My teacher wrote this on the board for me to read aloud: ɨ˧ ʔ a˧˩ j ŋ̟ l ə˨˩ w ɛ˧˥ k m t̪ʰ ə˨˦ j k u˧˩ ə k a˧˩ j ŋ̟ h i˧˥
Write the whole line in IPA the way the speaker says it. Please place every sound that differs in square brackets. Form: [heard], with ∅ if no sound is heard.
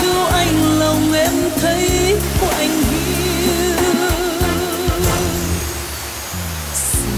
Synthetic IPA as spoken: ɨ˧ ʔ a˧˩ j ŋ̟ l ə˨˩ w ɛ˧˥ [∅] m t̪ʰ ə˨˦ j k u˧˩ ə [ʔ] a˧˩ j ŋ̟ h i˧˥